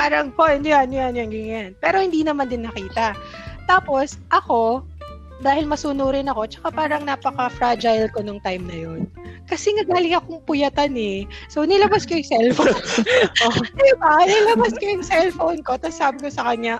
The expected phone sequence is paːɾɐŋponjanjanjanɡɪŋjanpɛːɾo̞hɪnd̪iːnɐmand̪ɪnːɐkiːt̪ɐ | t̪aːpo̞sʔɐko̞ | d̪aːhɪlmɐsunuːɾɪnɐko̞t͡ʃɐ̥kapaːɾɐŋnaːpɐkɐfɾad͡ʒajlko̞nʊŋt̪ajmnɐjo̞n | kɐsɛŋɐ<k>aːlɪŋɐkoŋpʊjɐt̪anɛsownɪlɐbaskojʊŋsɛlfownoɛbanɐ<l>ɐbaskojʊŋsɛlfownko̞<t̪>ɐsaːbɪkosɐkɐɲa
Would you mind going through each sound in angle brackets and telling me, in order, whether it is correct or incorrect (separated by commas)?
incorrect, correct, correct